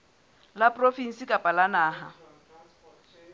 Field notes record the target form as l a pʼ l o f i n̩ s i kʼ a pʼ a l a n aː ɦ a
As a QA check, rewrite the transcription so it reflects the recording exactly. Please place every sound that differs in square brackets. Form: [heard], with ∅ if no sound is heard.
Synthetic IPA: l a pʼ [r] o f i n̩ s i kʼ a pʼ a l a n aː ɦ a